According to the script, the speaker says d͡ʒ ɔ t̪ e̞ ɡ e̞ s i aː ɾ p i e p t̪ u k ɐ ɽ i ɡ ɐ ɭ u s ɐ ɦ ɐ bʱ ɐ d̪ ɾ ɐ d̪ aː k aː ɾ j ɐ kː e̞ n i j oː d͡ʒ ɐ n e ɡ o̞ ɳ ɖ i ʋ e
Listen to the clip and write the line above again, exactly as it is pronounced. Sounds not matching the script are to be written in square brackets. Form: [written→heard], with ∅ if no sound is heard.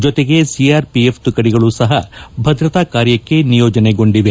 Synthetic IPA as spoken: d͡ʒ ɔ t̪ e̞ ɡ e̞ s i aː ɾ p i e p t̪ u k ɐ ɽ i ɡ ɐ ɭ u s ɐ ɦ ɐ bʱ ɐ d̪ ɾ ɐ [d̪→t̪] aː k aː ɾ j ɐ kː e̞ n i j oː d͡ʒ ɐ n e ɡ o̞ ɳ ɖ i ʋ e

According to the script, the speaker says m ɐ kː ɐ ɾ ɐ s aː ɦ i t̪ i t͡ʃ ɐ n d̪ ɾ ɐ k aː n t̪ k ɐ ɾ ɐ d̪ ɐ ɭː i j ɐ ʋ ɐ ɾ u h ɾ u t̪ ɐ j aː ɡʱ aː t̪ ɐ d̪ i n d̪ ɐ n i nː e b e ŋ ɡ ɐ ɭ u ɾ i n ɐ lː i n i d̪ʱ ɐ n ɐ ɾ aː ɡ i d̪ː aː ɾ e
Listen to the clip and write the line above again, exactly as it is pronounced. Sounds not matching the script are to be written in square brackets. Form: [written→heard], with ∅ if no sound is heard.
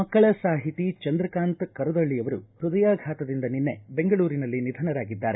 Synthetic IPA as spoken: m ɐ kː ɐ [ɾ→ɭ] ɐ s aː ɦ i t̪ i t͡ʃ ɐ n d̪ ɾ ɐ k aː n t̪ k ɐ ɾ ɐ d̪ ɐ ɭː i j ɐ ʋ ɐ ɾ u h ɾ u [t̪→d̪] ɐ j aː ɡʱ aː t̪ ɐ d̪ i n d̪ ɐ n i nː e b e ŋ ɡ ɐ ɭ [u→uː] ɾ i n ɐ lː i n i d̪ʱ ɐ n ɐ ɾ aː ɡ i d̪ː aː ɾ e

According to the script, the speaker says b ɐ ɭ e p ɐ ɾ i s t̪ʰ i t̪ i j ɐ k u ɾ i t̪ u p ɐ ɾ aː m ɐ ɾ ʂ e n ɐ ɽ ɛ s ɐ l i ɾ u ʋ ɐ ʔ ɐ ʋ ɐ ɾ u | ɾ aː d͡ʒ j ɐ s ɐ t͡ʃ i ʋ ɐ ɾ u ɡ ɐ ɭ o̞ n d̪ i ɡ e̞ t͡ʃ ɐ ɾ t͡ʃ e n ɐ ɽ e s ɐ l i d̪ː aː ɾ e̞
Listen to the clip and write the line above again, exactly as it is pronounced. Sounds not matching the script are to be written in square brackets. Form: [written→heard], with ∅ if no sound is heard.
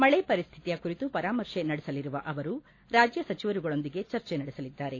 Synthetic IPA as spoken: [b→m] ɐ ɭ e p ɐ ɾ i s t̪ʰ i t̪ i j ɐ k u ɾ i t̪ u p ɐ ɾ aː m ɐ ɾ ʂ e n ɐ ɽ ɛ s ɐ l i ɾ u ʋ ɐ ʔ ɐ ʋ ɐ ɾ u | ɾ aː d͡ʒ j ɐ s ɐ t͡ʃ i ʋ ɐ ɾ u ɡ ɐ ɭ o̞ n d̪ i ɡ e̞ t͡ʃ ɐ ɾ t͡ʃ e n ɐ ɽ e s ɐ l i d̪ː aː ɾ e̞

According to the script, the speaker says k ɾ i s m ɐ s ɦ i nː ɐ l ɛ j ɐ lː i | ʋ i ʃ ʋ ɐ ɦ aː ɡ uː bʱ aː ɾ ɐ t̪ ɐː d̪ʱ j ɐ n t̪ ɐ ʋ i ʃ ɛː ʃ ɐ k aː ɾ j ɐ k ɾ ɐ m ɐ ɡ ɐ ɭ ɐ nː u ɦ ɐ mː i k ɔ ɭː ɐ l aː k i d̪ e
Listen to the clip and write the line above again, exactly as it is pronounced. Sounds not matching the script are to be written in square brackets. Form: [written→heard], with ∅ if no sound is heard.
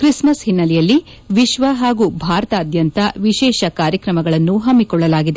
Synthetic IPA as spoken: k ɾ i s m ɐ s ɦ i nː ɐ l ɛ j ɐ lː i | ʋ i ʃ ʋ ɐ ɦ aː ɡ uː bʱ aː ɾ ɐ t̪ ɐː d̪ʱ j ɐ n t̪ ɐ ʋ i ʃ ɛː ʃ ɐ k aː ɾ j ɐ k ɾ ɐ m ɐ ɡ ɐ ɭ ɐ nː u ɦ ɐ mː i k ɔ ɭː ɐ l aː [k→ɡ] i d̪ e

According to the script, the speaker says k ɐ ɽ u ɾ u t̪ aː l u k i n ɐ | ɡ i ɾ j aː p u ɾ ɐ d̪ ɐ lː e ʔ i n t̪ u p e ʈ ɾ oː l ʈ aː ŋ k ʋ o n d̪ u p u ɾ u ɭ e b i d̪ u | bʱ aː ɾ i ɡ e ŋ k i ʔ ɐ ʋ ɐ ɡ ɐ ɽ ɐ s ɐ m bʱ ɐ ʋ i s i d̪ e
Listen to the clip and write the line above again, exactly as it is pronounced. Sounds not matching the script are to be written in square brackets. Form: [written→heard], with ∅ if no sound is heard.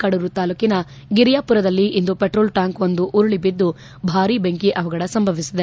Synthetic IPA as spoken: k ɐ ɽ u ɾ u t̪ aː l u k i n ɐ | ɡ i ɾ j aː p u ɾ ɐ d̪ ɐ lː [e→i] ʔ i n [t̪→d̪] u p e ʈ ɾ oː l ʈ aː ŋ k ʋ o n d̪ u [p→ʔ] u ɾ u ɭ [e→i] b i [d̪→d̪ː] u | bʱ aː ɾ i [ɡ→b] e ŋ k i ʔ ɐ ʋ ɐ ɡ ɐ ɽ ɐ s ɐ m bʱ ɐ ʋ i s i d̪ e

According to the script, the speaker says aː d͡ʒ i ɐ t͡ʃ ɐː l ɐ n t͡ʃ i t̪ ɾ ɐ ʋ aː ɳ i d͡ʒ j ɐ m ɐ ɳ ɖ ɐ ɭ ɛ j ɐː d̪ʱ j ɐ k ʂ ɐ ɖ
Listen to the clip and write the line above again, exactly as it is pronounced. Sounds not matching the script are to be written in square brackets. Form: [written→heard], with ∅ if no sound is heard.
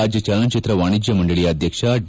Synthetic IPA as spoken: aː d͡ʒ [i→j] ɐ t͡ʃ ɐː l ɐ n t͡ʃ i t̪ ɾ ɐ ʋ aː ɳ i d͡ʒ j ɐ m ɐ ɳ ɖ ɐ ɭ [ɛ→i] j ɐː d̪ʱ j ɐ k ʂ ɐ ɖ

